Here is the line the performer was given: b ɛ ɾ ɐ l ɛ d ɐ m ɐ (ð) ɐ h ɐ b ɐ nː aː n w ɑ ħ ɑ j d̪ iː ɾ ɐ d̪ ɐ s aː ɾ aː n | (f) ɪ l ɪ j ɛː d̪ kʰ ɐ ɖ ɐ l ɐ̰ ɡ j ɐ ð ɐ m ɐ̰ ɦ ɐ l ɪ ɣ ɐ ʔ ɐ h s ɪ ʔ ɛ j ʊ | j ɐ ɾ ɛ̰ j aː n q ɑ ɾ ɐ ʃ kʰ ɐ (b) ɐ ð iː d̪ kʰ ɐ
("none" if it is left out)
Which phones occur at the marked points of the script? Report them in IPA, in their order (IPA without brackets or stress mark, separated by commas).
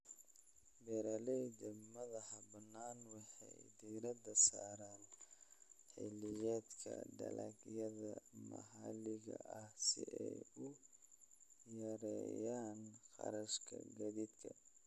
ð, ħ, ɡ